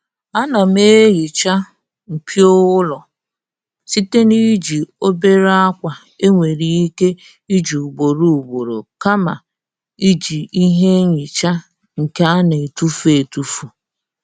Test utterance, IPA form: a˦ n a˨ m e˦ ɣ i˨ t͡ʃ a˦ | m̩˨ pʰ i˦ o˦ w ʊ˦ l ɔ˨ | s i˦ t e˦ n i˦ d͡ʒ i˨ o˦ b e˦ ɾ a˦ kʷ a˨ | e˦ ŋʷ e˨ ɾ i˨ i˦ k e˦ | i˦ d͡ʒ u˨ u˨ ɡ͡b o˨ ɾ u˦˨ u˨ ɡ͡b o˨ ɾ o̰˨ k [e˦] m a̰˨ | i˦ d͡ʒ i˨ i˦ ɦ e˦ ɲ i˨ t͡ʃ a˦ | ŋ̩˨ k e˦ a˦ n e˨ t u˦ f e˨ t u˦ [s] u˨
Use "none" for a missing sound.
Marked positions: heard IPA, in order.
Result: a˦, f

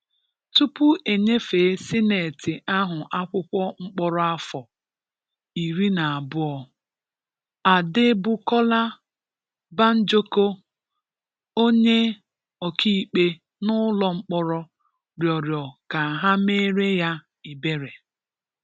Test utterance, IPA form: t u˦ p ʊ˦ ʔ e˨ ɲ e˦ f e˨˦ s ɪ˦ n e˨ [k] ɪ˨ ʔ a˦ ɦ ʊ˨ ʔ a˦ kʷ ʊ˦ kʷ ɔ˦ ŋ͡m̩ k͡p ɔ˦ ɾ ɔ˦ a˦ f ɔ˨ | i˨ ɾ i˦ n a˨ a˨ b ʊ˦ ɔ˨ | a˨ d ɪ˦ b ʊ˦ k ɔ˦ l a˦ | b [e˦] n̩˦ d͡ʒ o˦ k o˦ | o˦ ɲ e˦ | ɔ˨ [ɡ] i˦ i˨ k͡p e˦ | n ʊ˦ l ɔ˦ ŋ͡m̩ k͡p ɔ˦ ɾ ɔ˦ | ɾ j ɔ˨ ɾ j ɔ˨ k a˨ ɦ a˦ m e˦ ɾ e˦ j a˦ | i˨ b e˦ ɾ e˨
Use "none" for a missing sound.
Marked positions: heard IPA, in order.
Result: t, a˦, k

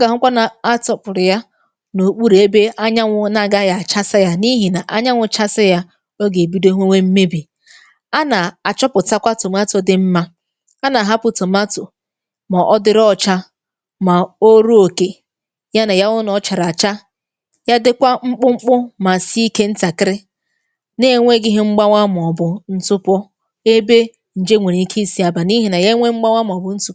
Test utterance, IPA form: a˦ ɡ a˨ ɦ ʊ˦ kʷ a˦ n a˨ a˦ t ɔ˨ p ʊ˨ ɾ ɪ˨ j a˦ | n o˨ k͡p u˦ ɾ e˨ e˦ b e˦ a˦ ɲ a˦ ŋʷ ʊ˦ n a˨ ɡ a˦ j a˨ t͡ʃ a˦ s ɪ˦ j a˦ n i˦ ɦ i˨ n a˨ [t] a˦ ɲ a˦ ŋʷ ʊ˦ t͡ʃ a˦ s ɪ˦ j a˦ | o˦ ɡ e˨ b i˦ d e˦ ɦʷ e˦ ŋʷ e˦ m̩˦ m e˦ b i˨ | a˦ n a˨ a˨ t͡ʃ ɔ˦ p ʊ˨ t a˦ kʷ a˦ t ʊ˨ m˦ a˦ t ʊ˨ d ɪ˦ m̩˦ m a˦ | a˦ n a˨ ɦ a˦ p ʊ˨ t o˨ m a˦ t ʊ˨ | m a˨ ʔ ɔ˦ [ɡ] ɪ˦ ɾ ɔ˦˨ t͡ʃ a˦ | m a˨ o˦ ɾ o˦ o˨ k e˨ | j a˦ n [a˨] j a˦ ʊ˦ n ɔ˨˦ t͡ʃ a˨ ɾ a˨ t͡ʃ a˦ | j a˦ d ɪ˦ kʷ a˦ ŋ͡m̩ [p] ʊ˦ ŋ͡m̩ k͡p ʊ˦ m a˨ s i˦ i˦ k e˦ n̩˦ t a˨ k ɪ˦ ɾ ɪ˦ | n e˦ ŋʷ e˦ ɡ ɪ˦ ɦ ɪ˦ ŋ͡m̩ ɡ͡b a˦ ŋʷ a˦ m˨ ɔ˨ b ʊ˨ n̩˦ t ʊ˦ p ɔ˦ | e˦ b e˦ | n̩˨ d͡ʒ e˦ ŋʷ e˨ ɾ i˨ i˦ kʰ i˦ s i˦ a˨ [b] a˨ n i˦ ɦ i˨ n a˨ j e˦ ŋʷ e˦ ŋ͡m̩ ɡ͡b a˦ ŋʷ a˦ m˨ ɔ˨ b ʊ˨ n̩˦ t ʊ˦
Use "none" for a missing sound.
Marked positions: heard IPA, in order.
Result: ʔ, d, a˨, k͡p, b

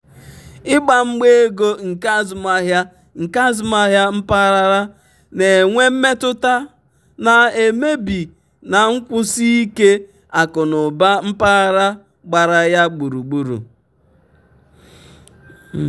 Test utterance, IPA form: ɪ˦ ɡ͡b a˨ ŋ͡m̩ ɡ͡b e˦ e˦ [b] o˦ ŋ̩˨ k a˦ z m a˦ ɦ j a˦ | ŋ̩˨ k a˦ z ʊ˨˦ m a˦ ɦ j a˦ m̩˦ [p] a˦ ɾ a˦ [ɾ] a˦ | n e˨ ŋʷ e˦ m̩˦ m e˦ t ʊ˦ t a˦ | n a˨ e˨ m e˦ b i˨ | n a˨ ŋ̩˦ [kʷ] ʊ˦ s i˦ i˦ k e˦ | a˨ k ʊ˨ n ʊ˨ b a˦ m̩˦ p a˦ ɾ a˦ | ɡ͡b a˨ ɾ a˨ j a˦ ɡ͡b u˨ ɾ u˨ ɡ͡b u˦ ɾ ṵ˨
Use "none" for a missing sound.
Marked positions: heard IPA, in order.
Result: ɡ, p, ɾ, kʷ

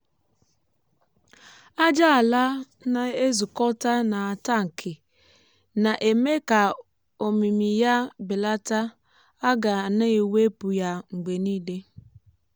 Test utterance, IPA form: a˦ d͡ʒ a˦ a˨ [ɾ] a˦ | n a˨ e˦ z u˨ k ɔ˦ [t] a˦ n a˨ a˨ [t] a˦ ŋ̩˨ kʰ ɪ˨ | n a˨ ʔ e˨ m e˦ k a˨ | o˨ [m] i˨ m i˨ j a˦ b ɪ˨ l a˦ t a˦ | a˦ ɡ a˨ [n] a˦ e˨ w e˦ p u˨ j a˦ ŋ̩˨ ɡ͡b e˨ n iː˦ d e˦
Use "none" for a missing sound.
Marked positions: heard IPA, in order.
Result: l, t, t, m, n

